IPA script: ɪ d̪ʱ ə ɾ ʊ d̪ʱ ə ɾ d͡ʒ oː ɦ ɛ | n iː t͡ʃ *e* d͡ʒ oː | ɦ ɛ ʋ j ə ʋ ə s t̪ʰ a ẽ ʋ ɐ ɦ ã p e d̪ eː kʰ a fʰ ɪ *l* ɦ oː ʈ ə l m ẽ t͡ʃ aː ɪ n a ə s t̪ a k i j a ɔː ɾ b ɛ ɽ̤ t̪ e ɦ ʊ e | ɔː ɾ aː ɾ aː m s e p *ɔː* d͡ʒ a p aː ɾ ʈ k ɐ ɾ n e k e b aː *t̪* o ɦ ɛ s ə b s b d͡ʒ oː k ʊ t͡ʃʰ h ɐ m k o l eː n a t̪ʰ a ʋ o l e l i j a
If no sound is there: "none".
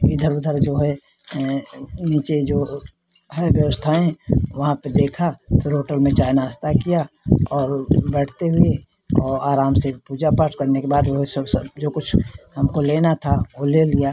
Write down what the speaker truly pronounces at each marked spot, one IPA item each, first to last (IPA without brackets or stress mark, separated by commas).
e, ɾ, uː, d̪